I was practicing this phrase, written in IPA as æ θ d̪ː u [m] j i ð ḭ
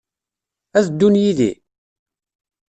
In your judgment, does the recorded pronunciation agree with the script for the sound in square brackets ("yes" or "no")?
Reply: no